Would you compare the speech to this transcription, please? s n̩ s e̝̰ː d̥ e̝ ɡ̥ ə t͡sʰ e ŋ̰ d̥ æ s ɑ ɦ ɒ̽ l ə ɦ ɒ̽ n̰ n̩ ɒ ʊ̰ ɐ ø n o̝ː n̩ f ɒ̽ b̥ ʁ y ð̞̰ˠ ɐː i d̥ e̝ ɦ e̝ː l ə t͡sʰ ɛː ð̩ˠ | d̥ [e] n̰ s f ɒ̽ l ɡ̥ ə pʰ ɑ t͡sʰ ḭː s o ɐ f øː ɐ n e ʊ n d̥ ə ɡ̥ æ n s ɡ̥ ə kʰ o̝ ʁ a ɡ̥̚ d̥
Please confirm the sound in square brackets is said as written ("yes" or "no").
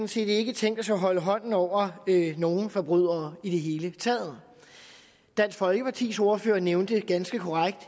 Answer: no